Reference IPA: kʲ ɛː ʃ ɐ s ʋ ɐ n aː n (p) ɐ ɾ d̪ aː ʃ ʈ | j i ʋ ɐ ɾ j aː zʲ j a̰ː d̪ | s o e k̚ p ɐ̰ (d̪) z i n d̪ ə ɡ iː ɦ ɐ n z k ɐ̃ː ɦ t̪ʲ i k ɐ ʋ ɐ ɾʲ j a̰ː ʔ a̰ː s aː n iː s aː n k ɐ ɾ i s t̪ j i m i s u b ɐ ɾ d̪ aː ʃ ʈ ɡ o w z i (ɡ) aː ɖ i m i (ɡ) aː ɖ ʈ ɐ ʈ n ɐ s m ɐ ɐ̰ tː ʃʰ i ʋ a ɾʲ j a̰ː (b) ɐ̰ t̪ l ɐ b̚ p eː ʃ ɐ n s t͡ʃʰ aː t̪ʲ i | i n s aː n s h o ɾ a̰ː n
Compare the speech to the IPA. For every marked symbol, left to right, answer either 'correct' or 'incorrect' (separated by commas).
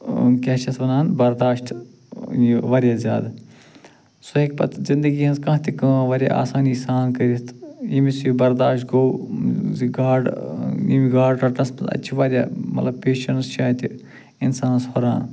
incorrect, incorrect, correct, correct, incorrect